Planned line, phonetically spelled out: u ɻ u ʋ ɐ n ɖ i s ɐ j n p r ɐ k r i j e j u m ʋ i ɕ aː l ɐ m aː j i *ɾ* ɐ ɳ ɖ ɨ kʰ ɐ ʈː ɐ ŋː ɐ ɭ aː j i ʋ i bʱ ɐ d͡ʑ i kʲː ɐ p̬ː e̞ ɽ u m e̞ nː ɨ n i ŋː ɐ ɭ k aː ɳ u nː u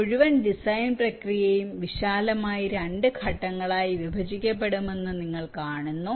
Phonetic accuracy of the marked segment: correct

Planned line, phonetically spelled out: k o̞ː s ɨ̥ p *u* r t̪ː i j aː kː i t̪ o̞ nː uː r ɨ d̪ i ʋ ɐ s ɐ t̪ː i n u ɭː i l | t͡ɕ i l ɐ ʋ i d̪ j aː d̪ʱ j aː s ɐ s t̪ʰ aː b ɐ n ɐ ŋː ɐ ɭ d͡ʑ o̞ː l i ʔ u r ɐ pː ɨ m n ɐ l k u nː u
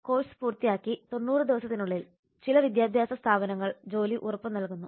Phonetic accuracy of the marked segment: incorrect: uː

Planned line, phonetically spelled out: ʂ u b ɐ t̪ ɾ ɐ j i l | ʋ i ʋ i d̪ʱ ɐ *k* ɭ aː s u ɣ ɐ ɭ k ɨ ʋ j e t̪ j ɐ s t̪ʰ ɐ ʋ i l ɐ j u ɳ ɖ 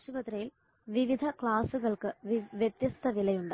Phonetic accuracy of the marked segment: correct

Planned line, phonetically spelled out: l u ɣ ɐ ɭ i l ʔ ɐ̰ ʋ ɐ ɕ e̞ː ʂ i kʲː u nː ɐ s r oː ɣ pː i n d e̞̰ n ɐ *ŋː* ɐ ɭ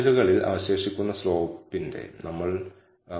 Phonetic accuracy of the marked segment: incorrect: mː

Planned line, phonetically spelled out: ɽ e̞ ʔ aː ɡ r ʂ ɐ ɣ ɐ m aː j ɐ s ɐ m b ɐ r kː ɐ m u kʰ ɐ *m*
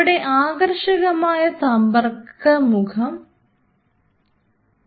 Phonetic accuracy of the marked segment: correct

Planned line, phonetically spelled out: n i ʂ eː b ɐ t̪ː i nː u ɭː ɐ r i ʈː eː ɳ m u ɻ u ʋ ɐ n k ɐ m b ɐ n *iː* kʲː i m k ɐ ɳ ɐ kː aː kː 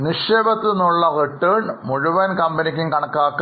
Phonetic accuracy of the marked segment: incorrect: i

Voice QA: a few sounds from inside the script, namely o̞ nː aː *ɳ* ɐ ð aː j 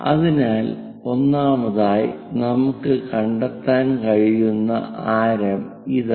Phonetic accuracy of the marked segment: incorrect: m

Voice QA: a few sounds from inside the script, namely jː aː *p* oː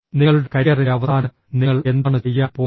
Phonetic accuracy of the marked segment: correct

